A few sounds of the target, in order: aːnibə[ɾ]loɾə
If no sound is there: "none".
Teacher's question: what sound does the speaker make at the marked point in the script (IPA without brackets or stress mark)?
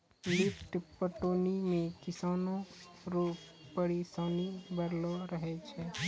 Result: ɾ